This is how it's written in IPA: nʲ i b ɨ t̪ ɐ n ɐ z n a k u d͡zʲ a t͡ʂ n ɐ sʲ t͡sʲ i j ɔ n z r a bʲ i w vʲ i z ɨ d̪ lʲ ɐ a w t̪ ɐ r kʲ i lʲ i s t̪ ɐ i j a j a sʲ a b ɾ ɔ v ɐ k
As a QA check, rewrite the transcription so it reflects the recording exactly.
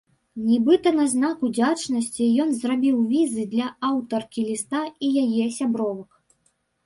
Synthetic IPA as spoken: nʲ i b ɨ t̪ ɐ n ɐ z n a k u d͡zʲ a t͡ʂ n ɐ sʲ t͡sʲ i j ɔ n z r a bʲ i w vʲ i z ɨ d̪ lʲ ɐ a w t̪ ɐ r kʲ i lʲ i s t̪ a i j a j ɛ sʲ a b ɾ ɔ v ɐ k

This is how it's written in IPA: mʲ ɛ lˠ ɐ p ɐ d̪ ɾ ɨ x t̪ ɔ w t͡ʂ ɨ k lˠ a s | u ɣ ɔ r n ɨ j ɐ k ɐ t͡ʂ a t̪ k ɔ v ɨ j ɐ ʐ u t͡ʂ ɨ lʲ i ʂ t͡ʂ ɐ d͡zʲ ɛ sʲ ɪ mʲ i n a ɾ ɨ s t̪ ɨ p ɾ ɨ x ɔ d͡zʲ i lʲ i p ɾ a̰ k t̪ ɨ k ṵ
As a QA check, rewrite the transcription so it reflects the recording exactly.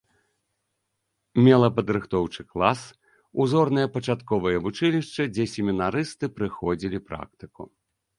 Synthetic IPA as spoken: mʲ ɛ lˠ ɐ p ɐ d̪ ɾ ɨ x t̪ ɔ w t͡ʂ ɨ k lˠ a s | u z ɔ r n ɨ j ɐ p ɐ t͡ʂ a t̪ k ɔ v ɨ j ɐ v u t͡ʂ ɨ lʲ i ʂ t͡ʂ ɐ d͡zʲ ɛ sʲ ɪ mʲ i n a ɾ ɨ s t̪ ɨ p ɾ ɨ x ɔ d͡zʲ i lʲ i p ɾ a̰ k t̪ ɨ k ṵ

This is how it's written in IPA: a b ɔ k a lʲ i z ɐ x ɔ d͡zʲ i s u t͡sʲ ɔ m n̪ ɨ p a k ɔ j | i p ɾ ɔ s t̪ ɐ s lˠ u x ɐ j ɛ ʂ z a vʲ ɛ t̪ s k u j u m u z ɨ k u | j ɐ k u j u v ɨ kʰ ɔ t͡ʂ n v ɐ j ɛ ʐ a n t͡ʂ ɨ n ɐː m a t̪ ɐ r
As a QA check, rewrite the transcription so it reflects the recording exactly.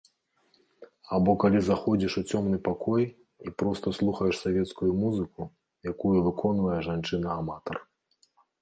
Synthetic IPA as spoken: a b ɔ k a lʲ i z a x ɔ d͡zʲ i ʂ u t͡sʲ ɔ m n̪ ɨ p a k ɔ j | i p ɾ ɔ s t̪ ɐ s lˠ u x ɐ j ɛ ʂ s a vʲ ɛ t̪ s k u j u m u z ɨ k u | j a k u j u v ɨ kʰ ɔ n v ɐ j ɛ ʐ a n t͡ʂ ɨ n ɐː m a t̪ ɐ r

